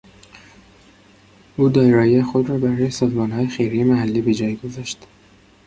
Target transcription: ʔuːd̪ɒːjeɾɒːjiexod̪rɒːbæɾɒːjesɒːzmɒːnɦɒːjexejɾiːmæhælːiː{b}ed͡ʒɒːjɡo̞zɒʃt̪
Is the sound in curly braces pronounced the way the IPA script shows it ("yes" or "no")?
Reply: yes